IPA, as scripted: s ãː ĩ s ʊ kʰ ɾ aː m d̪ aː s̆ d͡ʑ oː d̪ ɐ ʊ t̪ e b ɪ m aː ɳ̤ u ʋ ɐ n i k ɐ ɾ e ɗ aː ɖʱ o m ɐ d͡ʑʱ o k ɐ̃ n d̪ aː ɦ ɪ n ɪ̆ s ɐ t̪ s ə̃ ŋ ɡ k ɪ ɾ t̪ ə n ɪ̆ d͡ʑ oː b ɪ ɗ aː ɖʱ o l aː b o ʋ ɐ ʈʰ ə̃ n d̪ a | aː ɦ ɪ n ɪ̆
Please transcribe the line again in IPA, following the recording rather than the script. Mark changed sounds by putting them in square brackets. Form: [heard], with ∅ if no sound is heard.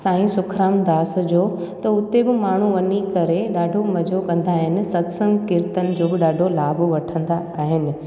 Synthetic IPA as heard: s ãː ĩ s ʊ kʰ ɾ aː m d̪ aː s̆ d͡ʑ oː [t̪] ɐ ʊ t̪ e b ɪ m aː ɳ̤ u ʋ ɐ n i k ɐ ɾ e ɗ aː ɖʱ o m ɐ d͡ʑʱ o k ɐ̃ n d̪ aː ɦ ɪ n ɪ̆ s ɐ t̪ s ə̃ ŋ ɡ k ɪ ɾ t̪ ə n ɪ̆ d͡ʑ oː b ɪ ɗ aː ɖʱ o l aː b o ʋ ɐ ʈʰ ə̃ n d̪ a | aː ɦ ɪ n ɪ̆

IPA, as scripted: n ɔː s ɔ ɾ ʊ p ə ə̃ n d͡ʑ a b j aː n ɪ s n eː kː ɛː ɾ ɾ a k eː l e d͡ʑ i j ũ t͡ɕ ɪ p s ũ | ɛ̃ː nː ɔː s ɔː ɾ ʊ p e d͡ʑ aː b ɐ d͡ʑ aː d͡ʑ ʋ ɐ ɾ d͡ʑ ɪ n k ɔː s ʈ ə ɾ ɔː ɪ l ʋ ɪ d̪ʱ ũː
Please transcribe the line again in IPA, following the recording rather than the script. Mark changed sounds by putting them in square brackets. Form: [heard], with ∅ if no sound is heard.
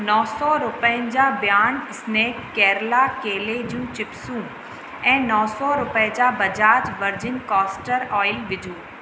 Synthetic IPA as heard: n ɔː s ɔ ɾ ʊ p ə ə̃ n d͡ʑ a b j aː n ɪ s n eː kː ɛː ɾ [l] a k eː l e d͡ʑ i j ũ t͡ɕ ɪ p s ũ | ɛ̃ː [n] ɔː s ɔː ɾ ʊ p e d͡ʑ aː b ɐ d͡ʑ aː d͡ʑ ʋ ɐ ɾ d͡ʑ ɪ n k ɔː s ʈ ə ɾ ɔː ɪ l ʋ ɪ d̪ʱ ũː

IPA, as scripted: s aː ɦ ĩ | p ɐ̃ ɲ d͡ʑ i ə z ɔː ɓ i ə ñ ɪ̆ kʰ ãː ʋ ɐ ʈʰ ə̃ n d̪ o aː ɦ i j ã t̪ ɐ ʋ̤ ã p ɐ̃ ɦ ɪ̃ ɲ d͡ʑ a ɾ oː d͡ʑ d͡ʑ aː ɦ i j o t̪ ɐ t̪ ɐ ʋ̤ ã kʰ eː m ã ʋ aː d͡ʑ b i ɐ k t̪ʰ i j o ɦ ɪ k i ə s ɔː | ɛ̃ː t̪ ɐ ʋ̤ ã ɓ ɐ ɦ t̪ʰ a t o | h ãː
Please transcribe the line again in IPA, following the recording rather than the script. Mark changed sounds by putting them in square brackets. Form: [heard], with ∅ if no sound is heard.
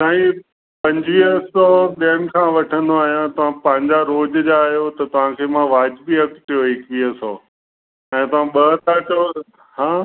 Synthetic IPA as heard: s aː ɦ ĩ | p ɐ̃ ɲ d͡ʑ i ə [s] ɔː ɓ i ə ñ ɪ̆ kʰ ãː ʋ ɐ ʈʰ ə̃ n d̪ o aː ɦ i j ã t̪ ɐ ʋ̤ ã p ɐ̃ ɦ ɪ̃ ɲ d͡ʑ a ɾ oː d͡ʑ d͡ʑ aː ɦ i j o t̪ ɐ t̪ ɐ ʋ̤ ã kʰ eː m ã ʋ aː d͡ʑ b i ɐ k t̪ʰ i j o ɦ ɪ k i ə s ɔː | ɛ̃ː t̪ ɐ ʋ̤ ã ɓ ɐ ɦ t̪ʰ a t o | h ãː

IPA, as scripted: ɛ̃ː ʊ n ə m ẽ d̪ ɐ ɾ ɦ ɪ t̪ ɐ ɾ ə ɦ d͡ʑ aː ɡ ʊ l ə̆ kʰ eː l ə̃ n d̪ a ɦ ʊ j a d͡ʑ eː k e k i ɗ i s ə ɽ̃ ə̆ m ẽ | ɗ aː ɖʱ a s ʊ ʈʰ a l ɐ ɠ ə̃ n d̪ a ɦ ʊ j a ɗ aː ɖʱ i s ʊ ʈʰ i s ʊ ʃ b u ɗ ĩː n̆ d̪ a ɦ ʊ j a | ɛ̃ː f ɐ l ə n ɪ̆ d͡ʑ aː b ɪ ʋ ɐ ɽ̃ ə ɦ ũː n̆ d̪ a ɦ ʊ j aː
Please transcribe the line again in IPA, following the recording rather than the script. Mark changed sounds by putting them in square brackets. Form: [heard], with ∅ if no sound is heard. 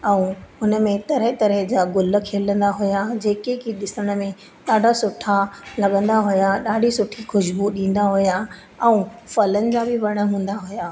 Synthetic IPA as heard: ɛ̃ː ʊ n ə m ẽ [t̪] ɐ ɾ ɦ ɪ t̪ ɐ ɾ ə ɦ d͡ʑ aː ɡ ʊ l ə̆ kʰ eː l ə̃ n d̪ a ɦ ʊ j a d͡ʑ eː k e k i ɗ [ɪ] s ə ɽ̃ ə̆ m ẽ | ɗ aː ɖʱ a s ʊ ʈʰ a l ɐ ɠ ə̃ n d̪ a ɦ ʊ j a ɗ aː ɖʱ i s ʊ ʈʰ i [x] ʊ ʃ b u ɗ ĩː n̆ d̪ a ɦ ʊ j a | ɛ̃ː f ɐ l ə n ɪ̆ d͡ʑ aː b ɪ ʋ ɐ ɽ̃ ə ɦ ũː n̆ d̪ a ɦ ʊ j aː

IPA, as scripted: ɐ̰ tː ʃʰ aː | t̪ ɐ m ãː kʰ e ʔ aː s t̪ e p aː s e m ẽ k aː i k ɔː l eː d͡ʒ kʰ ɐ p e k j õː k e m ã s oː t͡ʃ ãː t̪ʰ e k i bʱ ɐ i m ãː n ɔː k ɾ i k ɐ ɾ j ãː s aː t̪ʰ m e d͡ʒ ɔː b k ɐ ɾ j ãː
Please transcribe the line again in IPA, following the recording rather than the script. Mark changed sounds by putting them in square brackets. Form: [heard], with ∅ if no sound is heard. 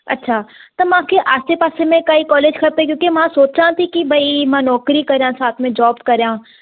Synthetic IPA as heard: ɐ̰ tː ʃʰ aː | t̪ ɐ m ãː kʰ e ʔ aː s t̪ e p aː s e m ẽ k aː i k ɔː l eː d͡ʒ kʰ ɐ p e k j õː k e m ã s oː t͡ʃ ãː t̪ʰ [i] k i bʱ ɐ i m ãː n ɔː k ɾ i k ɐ ɾ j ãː s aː t̪ʰ m [ẽ] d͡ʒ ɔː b k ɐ ɾ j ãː

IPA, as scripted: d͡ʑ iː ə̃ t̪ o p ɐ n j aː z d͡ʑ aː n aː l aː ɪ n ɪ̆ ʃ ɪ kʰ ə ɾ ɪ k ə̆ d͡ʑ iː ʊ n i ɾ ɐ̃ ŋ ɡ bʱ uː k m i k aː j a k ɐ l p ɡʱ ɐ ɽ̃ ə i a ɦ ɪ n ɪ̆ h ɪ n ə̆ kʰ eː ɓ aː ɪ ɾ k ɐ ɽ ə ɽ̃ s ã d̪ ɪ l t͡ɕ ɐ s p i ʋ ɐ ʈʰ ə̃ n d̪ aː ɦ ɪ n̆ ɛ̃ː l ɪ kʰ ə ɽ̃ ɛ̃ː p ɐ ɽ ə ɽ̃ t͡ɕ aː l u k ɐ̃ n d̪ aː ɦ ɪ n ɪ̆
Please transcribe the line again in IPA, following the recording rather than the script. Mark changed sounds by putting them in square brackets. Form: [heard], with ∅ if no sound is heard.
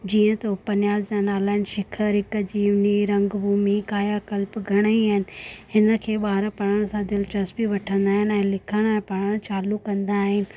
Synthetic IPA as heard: d͡ʑ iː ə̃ t̪ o p ɐ n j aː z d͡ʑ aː n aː l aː ɪ n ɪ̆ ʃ ɪ kʰ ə ɾ ɪ k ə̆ d͡ʑ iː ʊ n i ɾ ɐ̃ ŋ ɡ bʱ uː [∅] m i k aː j a k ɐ l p ɡʱ ɐ ɽ̃ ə i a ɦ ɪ n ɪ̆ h ɪ n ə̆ kʰ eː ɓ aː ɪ ɾ [p] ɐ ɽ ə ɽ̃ s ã d̪ ɪ l t͡ɕ ɐ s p i ʋ ɐ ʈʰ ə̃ n d̪ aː ɦ ɪ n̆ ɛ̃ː l ɪ kʰ ə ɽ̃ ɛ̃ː p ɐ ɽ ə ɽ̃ t͡ɕ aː l u k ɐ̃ n d̪ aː ɦ ɪ n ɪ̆

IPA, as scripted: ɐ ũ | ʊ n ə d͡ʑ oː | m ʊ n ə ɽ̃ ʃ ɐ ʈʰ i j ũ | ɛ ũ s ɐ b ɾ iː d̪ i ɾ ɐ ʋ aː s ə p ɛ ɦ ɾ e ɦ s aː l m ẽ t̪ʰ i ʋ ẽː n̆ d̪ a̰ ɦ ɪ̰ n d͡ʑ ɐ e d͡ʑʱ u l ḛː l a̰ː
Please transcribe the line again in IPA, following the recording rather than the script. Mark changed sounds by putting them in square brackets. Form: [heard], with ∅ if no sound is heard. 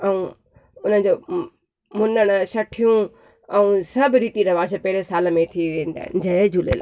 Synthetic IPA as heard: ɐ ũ | ʊ n ə d͡ʑ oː | m ʊ n ə ɽ̃ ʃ ɐ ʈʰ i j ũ | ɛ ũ s ɐ b ɾ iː [t̪] i ɾ ɐ ʋ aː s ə p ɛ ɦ ɾ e [∅] s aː l m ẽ t̪ʰ i ʋ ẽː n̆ d̪ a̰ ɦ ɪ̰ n d͡ʑ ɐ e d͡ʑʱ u l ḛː l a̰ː

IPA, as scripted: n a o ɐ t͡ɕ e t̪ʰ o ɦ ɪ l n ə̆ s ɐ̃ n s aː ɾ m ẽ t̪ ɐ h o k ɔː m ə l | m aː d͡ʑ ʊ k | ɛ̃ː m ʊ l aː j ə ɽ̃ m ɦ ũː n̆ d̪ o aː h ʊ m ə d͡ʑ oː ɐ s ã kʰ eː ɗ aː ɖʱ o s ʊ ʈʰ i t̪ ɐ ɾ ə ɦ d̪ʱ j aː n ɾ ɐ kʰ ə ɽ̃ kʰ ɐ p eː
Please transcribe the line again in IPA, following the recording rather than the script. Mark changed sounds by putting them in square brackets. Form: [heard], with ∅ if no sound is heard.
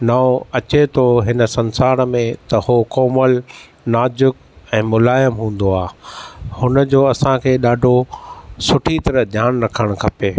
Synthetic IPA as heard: n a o ɐ t͡ɕ e t̪ʰ o ɦ ɪ [∅] n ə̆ s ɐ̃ n s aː ɾ m ẽ t̪ ɐ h o k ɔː m ə l | [n] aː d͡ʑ ʊ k | ɛ̃ː m ʊ l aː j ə [∅] m ɦ ũː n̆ d̪ o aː h ʊ [n] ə d͡ʑ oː ɐ s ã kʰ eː ɗ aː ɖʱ o s ʊ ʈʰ i t̪ ɐ ɾ ə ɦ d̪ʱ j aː n ɾ ɐ kʰ ə ɽ̃ kʰ ɐ p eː

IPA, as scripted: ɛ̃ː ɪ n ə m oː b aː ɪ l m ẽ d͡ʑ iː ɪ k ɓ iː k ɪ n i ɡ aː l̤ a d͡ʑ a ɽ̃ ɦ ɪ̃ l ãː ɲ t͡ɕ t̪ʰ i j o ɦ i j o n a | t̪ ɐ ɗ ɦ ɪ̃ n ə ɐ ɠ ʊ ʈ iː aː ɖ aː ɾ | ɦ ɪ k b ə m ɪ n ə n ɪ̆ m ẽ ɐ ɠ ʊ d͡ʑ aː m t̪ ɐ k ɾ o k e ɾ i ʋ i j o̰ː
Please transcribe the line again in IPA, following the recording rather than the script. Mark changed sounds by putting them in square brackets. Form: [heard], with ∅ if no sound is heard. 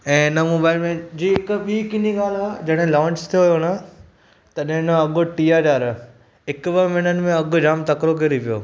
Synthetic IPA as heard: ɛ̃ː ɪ n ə m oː b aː ɪ l m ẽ d͡ʑ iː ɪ k ɓ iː k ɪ n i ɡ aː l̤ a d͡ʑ [ɐ] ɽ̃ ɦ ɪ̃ l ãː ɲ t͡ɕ t̪ʰ i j o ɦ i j o n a | t̪ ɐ ɗ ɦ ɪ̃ n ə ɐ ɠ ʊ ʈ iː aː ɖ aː ɾ | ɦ ɪ k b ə m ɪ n ə n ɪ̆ m ẽ ɐ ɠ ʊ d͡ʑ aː m t̪ ɐ k ɾ o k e ɾ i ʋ i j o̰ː

